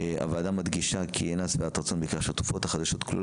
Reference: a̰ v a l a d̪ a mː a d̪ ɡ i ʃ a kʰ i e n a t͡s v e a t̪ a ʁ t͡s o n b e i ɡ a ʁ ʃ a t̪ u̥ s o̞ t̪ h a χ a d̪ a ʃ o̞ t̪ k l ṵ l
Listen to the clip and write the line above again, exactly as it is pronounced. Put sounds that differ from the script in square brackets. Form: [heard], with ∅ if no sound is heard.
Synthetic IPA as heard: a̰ v a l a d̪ a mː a d̪ ɡ i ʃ a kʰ i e n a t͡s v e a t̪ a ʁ t͡s o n b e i [k] a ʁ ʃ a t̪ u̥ [f] o̞ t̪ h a χ a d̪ a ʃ o̞ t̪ k l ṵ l